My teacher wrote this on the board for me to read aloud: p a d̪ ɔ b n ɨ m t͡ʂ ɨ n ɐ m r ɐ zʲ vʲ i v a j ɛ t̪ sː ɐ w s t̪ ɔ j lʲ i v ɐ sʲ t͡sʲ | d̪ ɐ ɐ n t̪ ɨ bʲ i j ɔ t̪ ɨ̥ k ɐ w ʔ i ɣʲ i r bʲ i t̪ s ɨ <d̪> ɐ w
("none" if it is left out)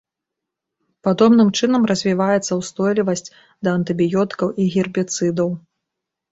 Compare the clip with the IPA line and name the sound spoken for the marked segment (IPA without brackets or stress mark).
d̪